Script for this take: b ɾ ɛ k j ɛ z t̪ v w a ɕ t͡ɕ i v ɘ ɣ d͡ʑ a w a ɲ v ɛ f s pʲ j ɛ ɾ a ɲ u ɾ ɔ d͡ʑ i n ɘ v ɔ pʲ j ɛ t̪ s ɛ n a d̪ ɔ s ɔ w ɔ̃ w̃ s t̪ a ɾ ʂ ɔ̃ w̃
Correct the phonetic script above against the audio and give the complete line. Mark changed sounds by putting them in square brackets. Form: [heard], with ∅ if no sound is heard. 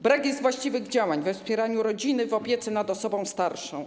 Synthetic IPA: b ɾ [a] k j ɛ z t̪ v w a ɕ t͡ɕ i v ɘ ɣ d͡ʑ a w a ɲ v ɛ f s pʲ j ɛ ɾ a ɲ u ɾ ɔ d͡ʑ i n ɘ v ɔ pʲ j ɛ t̪ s ɛ n a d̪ ɔ s ɔ [b] ɔ̃ w̃ s t̪ a ɾ ʂ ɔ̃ w̃